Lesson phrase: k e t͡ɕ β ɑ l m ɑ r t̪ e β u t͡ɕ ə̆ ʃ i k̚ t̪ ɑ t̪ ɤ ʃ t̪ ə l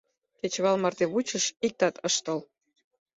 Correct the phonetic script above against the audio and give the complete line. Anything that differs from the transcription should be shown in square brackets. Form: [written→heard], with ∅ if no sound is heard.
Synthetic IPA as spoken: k e t͡ɕ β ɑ l m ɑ r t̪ e β u t͡ɕ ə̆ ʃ i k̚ t̪ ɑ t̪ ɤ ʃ t̪ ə l